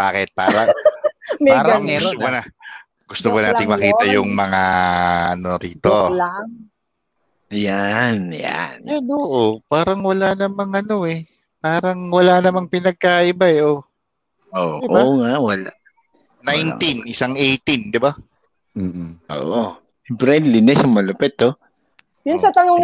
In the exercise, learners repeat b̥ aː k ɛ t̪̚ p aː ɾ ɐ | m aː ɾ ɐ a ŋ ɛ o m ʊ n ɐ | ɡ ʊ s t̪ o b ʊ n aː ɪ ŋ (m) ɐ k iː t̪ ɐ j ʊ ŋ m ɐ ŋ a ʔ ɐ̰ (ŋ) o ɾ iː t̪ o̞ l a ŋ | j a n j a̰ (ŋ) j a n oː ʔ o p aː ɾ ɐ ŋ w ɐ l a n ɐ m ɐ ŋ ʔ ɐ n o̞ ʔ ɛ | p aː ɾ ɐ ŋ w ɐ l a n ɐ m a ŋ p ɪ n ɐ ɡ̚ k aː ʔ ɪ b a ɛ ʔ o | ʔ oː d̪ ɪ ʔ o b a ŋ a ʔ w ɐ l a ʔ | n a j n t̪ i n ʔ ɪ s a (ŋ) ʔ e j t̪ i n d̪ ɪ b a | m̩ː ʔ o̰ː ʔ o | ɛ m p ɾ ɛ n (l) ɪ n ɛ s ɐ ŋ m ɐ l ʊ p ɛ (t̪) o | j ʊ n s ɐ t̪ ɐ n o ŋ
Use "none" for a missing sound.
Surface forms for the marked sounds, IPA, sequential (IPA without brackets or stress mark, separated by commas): m, n, n, ŋ, l, t̪